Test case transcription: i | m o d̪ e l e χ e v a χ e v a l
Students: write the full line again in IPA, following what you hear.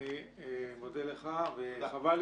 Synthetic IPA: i | m o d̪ e l e χ a v e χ a v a l